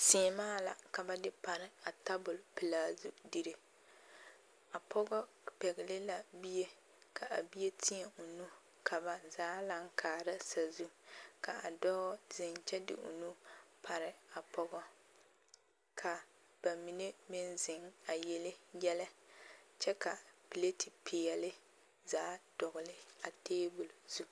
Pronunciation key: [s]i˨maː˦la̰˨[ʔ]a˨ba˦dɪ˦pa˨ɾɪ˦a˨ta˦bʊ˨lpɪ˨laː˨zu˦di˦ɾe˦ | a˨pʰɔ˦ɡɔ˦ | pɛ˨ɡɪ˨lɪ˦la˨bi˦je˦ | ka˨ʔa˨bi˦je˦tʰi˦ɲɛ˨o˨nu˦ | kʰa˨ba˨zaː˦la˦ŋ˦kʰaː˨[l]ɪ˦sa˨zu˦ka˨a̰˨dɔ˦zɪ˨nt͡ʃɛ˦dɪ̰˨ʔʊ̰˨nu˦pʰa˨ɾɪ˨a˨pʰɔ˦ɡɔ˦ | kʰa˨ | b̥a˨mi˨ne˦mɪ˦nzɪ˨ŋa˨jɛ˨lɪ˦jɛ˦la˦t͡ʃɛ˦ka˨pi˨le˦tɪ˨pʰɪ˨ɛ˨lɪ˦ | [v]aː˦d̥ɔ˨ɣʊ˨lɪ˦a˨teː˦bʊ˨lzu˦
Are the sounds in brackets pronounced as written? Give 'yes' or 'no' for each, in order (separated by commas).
yes, no, no, no